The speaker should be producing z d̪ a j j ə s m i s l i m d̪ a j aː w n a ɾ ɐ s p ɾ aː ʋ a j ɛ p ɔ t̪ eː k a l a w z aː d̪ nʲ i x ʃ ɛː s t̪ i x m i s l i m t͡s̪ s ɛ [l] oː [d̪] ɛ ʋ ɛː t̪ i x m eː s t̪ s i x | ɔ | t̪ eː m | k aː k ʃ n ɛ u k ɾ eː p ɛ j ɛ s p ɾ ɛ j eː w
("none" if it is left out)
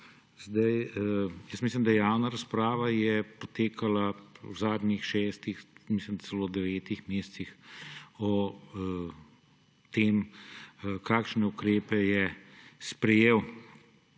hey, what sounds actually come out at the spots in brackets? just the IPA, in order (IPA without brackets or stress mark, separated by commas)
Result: l, d̪